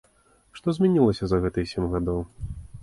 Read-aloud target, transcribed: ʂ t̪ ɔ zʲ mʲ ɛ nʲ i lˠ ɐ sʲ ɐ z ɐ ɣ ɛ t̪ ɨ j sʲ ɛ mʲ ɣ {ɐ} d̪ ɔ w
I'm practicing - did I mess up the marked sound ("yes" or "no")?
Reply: yes